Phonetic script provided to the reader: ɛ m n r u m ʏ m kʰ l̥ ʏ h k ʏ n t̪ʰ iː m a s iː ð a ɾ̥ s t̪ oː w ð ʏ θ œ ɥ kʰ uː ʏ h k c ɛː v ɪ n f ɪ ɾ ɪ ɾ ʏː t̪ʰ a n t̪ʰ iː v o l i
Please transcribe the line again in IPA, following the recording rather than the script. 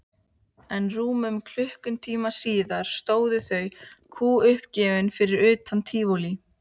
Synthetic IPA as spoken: ɛ n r uː m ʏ m kʰ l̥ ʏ h k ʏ n t̪ʰ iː m a s iː ð a ɾ̥ s t̪ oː w ð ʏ θ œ ɥ kʰ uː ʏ h p c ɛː v ɪ n f ɪ ɾ ɪ ɾ ʏː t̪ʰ a n t̪ʰ iː v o l i